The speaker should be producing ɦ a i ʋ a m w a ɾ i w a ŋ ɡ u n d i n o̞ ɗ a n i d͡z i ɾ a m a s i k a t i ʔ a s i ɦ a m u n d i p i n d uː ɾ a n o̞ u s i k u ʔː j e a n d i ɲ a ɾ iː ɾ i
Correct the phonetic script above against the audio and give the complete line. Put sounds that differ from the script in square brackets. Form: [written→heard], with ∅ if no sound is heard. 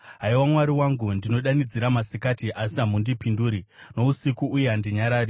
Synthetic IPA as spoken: ɦ a i [ʋ→w] a m w a ɾ i w a ŋ ɡ u n d i n o̞ ɗ a n i d͡z i ɾ a m a s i k a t i ʔ a s i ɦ a m u n d i p i n d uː ɾ [a→i] n o̞ u s i k u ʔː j e a n d i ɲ a ɾ [iː→aː] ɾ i